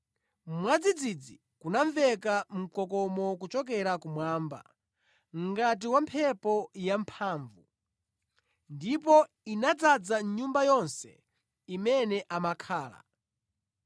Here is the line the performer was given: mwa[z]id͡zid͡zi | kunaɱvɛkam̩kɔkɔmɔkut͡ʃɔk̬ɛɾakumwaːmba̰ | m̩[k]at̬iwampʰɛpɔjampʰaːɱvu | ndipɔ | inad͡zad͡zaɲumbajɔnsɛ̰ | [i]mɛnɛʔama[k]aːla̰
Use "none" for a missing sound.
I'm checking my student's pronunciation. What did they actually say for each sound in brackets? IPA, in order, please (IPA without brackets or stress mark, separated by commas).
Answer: d͡z, ɡ, i, kʰ